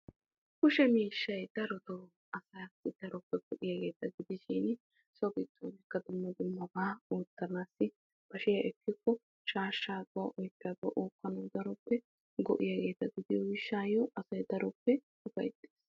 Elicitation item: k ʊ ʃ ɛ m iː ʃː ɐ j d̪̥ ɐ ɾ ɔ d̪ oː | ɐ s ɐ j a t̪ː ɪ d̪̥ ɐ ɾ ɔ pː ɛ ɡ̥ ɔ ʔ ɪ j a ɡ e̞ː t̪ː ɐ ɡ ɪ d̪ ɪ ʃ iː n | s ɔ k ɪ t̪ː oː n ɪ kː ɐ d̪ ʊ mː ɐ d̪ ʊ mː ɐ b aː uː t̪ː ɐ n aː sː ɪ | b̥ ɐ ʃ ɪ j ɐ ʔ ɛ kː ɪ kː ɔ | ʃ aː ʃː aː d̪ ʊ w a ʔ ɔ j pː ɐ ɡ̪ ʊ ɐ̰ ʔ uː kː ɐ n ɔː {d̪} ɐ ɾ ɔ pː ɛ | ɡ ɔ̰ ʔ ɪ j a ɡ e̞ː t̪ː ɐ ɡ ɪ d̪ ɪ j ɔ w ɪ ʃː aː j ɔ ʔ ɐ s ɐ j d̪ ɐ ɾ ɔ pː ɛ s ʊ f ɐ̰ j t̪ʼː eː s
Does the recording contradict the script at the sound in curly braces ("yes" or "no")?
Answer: no